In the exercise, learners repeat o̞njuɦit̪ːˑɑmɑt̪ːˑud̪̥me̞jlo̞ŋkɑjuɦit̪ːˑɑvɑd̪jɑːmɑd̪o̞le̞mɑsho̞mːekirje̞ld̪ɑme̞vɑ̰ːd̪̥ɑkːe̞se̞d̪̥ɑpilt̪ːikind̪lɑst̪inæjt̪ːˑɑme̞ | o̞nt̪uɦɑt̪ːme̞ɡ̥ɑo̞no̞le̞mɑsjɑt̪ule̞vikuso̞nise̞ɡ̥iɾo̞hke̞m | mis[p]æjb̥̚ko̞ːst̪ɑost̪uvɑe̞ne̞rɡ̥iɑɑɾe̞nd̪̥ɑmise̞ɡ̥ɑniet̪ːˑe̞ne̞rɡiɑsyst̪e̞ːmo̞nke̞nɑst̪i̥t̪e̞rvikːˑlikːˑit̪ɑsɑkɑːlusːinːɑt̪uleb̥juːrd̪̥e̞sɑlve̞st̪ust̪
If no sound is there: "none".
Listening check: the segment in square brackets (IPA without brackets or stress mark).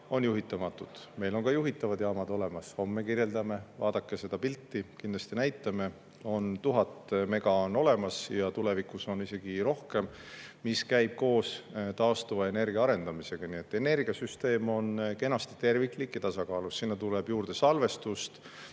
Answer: k